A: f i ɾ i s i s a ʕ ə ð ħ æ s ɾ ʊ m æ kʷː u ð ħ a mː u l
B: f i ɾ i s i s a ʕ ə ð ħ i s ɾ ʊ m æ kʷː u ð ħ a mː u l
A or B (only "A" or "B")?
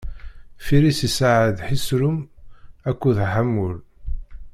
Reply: B